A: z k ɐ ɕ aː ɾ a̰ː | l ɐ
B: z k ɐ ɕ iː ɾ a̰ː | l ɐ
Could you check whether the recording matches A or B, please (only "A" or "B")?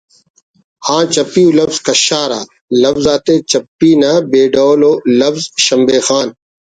A